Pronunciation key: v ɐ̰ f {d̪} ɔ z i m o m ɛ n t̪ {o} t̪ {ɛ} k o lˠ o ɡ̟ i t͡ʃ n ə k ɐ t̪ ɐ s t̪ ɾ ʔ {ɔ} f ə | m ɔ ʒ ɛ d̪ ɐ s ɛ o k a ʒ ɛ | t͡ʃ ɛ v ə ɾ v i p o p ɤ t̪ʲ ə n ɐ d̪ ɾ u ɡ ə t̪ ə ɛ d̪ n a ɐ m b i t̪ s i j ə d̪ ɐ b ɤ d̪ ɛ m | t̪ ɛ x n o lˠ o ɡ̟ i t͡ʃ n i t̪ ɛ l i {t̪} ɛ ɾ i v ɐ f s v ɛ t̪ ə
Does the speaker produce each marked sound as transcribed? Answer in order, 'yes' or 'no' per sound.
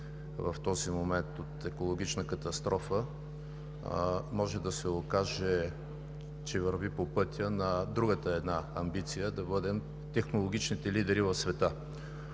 no, yes, yes, yes, no

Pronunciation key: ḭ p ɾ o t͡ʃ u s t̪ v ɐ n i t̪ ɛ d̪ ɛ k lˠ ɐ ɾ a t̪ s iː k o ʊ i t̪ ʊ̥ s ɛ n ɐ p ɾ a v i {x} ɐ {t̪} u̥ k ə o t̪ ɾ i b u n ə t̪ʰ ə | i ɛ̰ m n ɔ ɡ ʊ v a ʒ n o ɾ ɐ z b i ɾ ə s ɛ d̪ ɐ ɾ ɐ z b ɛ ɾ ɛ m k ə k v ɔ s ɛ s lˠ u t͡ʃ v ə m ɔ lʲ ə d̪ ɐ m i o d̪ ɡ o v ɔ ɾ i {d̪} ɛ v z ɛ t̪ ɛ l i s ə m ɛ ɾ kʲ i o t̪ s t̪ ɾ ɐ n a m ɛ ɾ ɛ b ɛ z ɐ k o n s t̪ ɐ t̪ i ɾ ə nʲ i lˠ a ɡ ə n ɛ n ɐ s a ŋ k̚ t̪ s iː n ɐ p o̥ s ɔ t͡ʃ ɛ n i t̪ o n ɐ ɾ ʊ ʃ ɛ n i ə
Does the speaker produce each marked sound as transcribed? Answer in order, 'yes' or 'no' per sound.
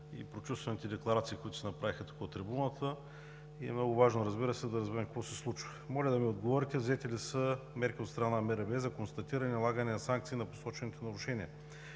yes, yes, no

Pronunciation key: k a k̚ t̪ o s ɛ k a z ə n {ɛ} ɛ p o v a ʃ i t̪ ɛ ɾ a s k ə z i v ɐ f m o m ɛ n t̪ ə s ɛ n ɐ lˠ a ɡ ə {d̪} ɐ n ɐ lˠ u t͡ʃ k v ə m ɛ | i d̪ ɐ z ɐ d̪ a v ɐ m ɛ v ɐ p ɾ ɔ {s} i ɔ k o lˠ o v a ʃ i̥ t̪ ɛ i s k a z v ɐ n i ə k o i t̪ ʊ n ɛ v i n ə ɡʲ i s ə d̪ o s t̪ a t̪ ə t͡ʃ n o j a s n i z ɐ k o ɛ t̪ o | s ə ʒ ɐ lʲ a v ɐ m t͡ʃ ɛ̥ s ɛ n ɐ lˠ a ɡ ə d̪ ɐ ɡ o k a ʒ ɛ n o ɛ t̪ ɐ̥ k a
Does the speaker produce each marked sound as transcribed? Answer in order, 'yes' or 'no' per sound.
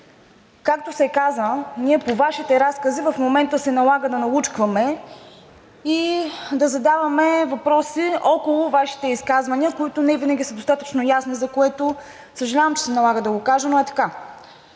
no, yes, yes

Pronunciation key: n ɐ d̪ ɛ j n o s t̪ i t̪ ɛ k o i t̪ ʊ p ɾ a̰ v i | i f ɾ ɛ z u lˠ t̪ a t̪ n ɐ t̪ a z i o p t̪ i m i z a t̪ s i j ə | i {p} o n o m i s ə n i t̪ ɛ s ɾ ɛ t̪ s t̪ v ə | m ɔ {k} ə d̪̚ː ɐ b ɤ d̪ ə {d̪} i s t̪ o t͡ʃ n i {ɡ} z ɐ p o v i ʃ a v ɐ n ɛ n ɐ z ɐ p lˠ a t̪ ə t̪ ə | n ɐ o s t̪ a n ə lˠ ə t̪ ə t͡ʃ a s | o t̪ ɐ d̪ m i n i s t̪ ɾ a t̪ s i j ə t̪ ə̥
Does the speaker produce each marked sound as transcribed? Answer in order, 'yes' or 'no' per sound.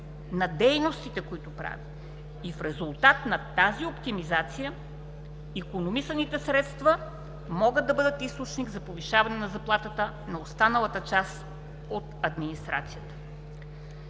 no, no, no, yes

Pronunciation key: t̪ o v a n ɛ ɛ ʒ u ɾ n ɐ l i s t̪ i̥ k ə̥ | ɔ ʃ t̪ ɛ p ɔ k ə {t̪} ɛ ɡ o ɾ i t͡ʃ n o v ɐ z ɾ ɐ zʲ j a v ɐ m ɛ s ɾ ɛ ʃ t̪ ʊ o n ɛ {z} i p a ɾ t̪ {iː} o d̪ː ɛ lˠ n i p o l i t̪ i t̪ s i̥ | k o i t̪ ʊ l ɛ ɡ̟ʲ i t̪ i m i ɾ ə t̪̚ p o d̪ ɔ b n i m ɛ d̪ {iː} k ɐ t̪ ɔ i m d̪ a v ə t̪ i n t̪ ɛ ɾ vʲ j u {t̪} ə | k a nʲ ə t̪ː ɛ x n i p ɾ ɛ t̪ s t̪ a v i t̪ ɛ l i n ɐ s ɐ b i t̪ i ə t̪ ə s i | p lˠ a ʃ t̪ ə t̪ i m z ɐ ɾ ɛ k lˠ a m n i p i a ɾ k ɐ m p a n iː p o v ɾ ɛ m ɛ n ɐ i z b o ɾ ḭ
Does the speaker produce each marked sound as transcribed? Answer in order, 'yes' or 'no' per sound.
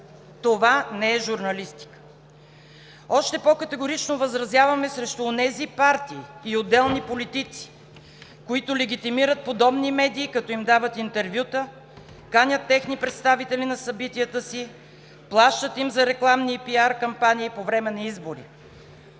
yes, yes, yes, yes, yes

